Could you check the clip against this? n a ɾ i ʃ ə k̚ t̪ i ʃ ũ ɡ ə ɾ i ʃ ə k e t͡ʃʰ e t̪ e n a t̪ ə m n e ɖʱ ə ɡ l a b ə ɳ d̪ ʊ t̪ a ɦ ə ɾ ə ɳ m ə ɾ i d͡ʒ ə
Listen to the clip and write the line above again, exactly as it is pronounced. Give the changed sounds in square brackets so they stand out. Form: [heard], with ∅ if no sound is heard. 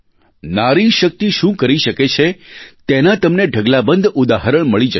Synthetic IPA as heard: n a ɾ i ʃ ə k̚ t̪ i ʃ ũ [k] ə ɾ i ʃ ə k e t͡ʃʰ e t̪ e n a t̪ ə m n e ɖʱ ə ɡ l a b ə [n] d̪ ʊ [d̪] a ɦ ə ɾ ə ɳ m ə [ɭ] i d͡ʒ ə